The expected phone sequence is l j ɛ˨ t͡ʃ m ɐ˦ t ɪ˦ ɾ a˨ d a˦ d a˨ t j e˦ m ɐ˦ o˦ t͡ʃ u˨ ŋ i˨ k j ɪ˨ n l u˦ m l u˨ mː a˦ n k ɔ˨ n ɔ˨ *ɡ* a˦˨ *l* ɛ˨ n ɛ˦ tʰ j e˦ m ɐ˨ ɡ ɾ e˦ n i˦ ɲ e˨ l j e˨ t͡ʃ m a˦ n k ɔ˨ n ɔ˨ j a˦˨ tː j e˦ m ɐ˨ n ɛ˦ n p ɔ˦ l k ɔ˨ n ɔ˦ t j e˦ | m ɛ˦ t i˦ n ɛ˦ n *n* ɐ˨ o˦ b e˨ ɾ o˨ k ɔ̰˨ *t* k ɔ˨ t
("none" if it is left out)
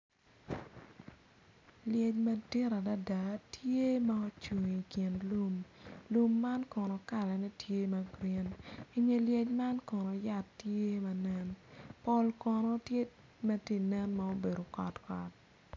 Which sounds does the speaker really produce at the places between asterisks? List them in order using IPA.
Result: k, l, m, t

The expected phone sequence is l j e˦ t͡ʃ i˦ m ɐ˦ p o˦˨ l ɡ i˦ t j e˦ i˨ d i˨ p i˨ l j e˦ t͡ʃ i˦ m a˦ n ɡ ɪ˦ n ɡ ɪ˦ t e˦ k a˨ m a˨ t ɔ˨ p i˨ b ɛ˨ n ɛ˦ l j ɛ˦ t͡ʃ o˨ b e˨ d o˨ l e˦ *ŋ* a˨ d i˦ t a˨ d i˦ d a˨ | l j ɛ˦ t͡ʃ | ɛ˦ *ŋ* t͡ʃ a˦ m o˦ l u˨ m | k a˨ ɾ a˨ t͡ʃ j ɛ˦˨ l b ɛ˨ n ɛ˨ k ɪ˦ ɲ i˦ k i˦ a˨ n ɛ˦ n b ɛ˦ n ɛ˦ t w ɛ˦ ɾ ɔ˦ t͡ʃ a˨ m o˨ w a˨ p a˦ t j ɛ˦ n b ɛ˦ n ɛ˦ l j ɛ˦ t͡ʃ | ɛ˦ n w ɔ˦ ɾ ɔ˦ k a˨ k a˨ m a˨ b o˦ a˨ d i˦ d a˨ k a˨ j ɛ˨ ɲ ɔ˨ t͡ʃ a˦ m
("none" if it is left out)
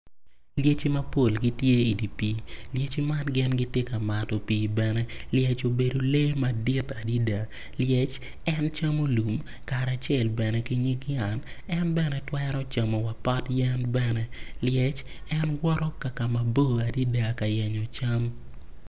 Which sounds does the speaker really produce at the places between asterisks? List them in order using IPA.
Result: m, n

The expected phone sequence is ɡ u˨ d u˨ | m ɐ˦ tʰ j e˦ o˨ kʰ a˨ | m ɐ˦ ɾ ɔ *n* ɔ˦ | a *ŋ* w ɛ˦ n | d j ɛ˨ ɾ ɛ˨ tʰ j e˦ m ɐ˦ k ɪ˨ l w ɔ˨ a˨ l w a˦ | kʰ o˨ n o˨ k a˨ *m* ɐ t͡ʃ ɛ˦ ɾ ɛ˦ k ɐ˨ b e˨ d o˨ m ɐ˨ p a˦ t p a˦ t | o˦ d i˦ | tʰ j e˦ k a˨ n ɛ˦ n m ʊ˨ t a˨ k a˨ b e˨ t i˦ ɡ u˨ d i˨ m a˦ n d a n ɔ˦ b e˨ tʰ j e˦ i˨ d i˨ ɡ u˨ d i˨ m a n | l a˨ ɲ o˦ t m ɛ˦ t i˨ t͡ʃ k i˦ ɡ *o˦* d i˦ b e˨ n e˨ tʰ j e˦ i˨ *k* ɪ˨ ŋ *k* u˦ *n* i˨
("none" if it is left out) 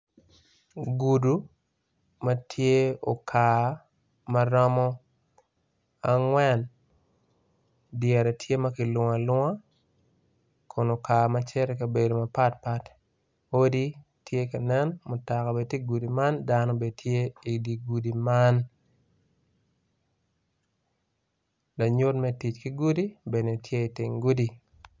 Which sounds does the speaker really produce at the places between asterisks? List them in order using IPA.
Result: m, ŋ, m, u˦, t, ɡ, d

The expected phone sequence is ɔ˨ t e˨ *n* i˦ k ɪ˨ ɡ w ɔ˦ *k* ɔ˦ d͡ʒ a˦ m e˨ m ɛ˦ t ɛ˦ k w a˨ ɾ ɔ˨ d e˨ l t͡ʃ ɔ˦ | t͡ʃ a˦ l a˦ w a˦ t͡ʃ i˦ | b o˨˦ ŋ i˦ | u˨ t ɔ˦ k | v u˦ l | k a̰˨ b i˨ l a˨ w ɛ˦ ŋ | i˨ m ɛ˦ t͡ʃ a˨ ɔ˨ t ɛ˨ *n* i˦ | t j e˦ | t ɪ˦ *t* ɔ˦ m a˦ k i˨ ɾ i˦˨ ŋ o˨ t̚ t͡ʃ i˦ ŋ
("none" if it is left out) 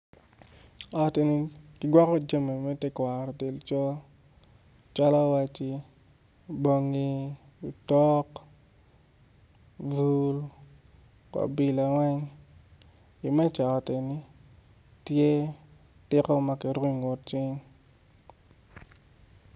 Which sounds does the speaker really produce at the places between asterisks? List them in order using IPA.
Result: n, k, n, k

